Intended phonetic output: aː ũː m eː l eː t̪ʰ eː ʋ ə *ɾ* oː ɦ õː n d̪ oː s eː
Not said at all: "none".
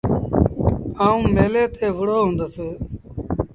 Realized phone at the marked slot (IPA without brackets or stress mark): ɽ